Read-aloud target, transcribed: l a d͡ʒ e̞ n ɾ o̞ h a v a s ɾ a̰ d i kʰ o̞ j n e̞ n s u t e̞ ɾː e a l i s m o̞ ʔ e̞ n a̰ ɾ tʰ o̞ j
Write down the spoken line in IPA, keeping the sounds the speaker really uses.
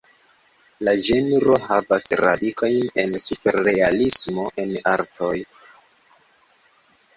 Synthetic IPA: l a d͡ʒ e̞ n ɾ o̞ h a v a s ɾ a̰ d i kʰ o̞ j n e̞ n s u p e̞ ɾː e a l i s m o̞ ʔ e̞ n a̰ ɾ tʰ o̞ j